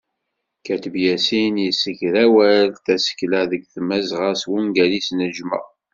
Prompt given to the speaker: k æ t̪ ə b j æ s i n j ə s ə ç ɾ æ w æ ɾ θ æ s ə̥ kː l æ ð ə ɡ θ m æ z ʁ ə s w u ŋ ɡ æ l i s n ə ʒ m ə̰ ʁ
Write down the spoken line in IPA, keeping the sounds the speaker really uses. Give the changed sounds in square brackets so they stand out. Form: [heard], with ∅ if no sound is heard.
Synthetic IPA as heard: k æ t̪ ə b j æ s i n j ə s ə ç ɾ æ w æ [l] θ æ s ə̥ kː l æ ð ə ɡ θ m æ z ʁ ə s w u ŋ ɡ æ l i s n ə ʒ m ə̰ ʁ